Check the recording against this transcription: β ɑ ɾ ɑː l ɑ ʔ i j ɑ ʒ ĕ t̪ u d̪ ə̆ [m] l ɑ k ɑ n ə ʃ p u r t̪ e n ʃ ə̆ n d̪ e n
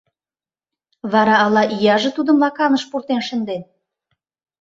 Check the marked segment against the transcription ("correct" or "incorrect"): correct